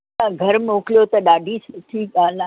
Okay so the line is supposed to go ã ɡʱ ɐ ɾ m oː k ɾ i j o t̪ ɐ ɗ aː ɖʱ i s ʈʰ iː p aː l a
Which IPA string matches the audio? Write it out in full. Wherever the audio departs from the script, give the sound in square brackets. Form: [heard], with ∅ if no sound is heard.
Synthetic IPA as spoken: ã ɡʱ ɐ ɾ m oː k [l] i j o t̪ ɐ ɗ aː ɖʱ i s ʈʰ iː [k] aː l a

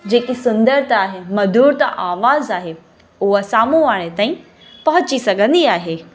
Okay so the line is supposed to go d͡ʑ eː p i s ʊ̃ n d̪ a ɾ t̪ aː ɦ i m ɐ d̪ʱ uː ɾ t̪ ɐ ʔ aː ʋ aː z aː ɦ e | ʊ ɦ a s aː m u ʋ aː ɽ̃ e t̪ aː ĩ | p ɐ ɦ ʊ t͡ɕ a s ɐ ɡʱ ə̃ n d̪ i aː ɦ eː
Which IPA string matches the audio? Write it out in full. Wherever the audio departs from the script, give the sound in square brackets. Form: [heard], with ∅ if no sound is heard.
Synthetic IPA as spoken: d͡ʑ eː [k] i s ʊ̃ n d̪ [ə] ɾ t̪ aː ɦ [e] m ɐ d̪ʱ uː ɾ t̪ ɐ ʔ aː ʋ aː z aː ɦ e | ʊ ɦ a s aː m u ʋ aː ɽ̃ e t̪ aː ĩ | p ɐ ɦ ʊ t͡ɕ [i] s ɐ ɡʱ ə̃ n d̪ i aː ɦ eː

